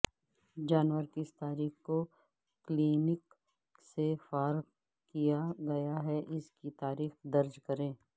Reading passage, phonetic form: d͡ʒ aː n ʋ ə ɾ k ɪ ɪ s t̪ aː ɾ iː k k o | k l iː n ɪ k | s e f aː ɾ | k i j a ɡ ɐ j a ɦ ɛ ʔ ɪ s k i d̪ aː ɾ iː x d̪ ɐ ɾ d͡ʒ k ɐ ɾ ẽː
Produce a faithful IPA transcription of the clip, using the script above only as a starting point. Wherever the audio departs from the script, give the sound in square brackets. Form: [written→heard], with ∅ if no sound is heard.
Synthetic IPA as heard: d͡ʒ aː n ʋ ə ɾ k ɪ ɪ s t̪ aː ɾ iː [k→x] k o | k l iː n ɪ k | s e f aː ɾ | k i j a ɡ ɐ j a ɦ ɛ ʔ ɪ s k i [d̪→t̪] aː ɾ iː x d̪ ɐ ɾ d͡ʒ k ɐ ɾ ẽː